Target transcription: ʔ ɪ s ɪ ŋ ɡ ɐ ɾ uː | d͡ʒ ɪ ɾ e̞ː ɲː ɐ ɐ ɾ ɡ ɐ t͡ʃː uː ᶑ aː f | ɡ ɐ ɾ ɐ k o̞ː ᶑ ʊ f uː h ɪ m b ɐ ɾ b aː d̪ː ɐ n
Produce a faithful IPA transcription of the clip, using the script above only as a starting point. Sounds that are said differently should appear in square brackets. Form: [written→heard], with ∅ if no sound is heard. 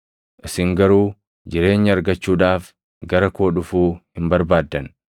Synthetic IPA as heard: ʔ ɪ s ɪ ŋ ɡ ɐ ɾ uː | d͡ʒ ɪ ɾ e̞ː ɲː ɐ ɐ ɾ ɡ ɐ t͡ʃː uː ᶑ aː f | ɡ ɐ ɾ ɐ k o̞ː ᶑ ʊ f uː h ɪ m b ɐ ɾ b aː d̪ː ɐ n